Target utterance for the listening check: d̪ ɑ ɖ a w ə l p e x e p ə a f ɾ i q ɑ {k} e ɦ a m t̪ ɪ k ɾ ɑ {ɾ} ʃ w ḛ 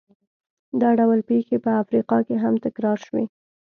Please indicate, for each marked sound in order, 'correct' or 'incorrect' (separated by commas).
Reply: correct, correct